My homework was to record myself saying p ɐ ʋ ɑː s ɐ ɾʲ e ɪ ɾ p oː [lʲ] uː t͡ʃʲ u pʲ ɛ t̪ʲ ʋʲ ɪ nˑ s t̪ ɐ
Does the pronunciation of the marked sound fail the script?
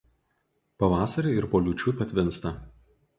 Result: no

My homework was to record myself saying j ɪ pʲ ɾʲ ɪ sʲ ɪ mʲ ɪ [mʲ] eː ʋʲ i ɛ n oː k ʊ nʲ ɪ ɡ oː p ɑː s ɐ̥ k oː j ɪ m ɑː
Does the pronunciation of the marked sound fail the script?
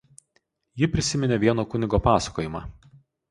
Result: yes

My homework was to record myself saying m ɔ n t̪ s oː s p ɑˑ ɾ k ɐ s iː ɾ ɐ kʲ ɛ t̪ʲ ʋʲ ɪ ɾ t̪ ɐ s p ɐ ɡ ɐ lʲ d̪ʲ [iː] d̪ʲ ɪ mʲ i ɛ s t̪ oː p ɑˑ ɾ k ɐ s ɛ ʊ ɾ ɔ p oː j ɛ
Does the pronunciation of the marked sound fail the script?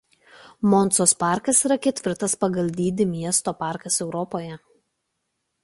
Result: no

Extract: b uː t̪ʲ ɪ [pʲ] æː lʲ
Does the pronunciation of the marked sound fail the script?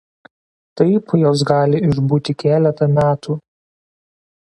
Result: yes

